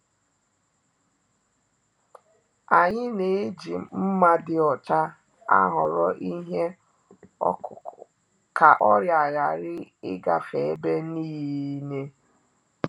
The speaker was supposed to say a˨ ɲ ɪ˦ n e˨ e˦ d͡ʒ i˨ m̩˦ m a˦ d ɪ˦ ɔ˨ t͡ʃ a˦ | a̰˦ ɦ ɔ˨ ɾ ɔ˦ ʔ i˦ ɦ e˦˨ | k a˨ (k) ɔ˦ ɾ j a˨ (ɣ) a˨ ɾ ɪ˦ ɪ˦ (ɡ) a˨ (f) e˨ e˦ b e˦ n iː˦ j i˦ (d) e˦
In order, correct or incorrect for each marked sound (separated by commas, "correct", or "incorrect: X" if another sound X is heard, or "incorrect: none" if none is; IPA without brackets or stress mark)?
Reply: incorrect: ʔ, correct, correct, correct, incorrect: n